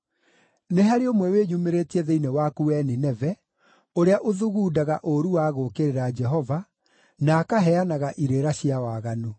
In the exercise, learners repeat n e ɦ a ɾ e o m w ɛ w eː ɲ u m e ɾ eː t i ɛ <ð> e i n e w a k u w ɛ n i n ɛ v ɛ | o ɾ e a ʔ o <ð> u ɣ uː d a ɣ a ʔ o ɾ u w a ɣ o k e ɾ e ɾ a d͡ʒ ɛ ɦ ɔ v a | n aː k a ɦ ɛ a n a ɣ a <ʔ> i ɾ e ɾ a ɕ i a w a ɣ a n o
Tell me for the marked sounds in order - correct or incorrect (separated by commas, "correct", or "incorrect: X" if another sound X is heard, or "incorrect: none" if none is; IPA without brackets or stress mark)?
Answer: correct, correct, correct